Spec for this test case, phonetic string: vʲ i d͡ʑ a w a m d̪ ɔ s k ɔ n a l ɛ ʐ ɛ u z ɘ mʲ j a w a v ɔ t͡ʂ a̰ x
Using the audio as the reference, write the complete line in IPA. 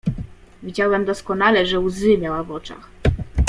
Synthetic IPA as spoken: vʲ i d͡ʑ a w ɛ m d̪ ɔ s k ɔ n a l ɛ ʐ ɛ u z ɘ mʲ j a w a v ɔ t͡ʂ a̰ x